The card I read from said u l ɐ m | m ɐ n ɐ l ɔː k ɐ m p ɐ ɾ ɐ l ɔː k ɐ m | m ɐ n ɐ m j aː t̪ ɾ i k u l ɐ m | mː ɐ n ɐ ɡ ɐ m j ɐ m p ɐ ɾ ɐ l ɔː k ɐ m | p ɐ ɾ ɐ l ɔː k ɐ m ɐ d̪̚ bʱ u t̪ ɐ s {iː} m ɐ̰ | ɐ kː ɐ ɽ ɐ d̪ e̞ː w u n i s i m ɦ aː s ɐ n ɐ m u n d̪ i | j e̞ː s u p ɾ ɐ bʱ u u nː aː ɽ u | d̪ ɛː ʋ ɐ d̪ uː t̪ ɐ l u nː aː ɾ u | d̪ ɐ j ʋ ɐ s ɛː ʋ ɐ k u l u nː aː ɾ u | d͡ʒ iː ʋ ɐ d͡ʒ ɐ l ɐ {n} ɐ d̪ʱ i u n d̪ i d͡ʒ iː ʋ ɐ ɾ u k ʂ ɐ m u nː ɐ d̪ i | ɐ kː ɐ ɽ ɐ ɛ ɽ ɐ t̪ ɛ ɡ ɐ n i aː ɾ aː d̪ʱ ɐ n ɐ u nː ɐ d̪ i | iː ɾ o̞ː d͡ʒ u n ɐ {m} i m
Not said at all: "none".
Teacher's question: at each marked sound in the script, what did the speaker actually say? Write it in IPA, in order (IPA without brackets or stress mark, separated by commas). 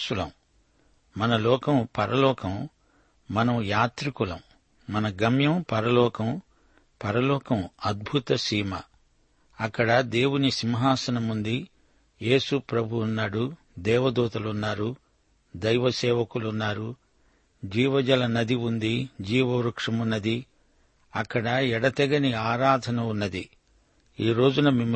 iː, n, m